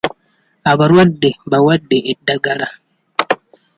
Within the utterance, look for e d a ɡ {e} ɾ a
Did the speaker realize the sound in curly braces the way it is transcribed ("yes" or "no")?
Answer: no